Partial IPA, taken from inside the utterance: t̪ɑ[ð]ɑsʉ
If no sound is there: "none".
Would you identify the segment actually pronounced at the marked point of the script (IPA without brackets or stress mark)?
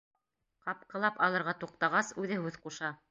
ʁ